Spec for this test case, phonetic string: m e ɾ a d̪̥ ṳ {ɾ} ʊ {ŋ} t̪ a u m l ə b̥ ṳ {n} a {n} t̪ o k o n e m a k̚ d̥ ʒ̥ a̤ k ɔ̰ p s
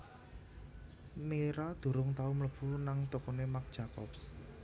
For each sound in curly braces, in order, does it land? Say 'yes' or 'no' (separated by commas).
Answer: yes, yes, yes, no